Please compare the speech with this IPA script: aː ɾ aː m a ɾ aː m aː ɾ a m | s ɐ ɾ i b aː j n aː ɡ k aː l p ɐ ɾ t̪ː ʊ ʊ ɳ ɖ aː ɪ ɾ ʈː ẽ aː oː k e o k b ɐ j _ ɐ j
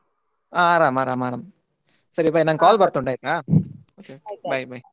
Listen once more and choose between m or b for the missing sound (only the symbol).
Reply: b